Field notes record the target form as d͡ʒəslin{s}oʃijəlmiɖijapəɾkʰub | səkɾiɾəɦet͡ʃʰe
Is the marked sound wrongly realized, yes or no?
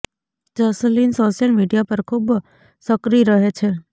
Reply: no